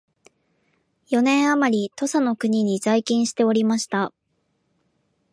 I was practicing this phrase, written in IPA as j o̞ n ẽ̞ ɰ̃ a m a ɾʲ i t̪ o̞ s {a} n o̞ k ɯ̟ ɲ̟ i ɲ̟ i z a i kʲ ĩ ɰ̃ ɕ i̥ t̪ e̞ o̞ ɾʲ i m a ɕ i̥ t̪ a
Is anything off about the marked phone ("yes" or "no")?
no